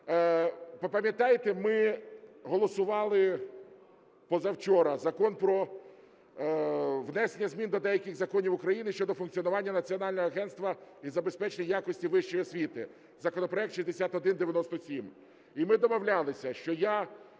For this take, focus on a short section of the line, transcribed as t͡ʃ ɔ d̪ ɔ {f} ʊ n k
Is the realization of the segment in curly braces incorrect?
no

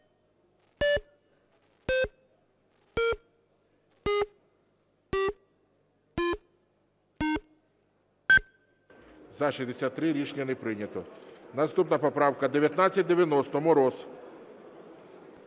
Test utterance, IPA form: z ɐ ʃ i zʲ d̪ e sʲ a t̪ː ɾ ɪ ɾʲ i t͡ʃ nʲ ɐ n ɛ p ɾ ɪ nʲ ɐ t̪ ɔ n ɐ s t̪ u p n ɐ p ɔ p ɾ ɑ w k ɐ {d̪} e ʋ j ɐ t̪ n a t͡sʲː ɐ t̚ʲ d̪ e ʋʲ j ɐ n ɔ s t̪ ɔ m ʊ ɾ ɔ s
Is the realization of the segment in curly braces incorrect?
no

